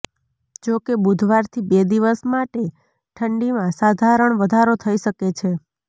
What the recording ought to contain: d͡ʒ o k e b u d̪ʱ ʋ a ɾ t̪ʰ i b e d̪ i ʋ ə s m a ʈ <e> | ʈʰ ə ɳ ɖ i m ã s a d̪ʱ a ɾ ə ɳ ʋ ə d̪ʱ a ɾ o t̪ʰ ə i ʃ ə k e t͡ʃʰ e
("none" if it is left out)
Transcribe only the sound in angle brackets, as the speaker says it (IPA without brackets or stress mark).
e